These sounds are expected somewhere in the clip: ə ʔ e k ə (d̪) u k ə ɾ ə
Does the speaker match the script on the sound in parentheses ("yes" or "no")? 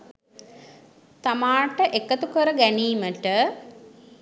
no